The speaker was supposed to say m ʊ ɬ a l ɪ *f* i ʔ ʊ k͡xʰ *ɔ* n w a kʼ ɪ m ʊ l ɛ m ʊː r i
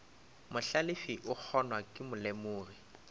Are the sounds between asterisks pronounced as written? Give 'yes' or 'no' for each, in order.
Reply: yes, yes

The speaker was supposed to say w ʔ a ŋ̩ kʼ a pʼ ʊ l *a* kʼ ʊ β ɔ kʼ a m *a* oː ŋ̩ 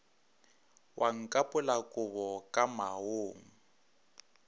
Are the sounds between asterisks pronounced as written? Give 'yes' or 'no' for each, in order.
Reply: yes, yes

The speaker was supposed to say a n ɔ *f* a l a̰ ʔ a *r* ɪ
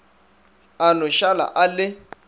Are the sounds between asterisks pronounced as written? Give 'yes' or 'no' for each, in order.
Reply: no, no

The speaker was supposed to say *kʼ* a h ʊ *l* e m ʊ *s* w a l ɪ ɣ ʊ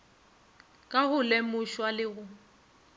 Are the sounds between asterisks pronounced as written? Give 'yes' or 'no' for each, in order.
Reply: yes, yes, no

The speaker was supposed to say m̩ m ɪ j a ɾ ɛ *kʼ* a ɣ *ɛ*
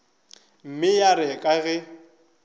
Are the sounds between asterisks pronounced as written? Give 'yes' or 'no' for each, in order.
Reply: yes, yes

